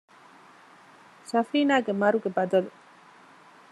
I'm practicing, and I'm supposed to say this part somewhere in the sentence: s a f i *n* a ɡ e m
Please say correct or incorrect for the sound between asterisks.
correct